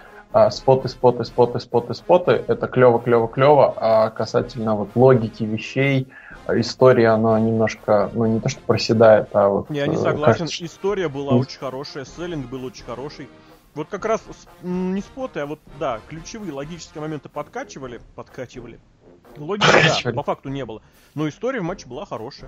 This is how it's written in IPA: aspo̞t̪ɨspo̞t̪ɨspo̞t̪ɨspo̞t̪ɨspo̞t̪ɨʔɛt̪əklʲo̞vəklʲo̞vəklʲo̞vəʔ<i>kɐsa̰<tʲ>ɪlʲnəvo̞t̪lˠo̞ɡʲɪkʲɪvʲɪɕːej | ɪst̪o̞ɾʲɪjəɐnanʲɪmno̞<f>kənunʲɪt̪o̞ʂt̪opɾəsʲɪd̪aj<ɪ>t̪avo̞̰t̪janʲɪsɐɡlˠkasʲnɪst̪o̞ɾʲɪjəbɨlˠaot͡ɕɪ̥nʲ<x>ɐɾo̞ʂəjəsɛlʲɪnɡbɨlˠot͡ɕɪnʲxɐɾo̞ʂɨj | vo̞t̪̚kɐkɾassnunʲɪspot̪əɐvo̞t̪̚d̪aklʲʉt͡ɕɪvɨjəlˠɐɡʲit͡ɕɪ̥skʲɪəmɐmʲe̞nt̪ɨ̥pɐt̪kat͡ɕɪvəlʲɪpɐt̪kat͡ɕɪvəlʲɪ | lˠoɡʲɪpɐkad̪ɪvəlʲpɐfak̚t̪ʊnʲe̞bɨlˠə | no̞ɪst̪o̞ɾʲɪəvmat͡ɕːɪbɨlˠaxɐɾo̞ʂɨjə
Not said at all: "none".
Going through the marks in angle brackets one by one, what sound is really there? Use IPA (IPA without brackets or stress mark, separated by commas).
a, tʲ, ʂ, ɪ, x